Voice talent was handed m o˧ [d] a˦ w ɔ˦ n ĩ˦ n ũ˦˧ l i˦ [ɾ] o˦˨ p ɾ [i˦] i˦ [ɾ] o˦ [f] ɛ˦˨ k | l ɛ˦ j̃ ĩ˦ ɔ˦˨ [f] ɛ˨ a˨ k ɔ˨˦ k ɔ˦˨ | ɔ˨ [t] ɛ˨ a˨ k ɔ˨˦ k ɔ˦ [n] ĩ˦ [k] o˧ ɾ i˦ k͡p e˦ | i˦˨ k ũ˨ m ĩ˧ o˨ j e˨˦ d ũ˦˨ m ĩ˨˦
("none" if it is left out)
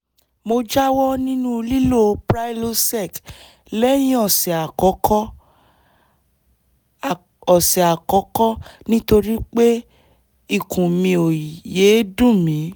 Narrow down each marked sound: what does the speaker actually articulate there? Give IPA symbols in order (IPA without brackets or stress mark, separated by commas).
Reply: d͡ʒ, l, a˦, l, s, s, s, n, t